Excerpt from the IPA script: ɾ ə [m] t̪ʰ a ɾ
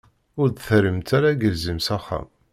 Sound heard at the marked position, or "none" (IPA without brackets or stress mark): m